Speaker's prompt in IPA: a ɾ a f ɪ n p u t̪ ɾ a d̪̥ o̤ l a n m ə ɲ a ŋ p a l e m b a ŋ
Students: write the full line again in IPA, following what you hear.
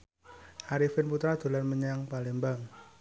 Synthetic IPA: a ɾ i f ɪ n p u t̪ ɾ a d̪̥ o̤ l a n m ə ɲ a ŋ p a l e m b a ŋ